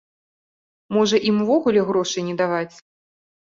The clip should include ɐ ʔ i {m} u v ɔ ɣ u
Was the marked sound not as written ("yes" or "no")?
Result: no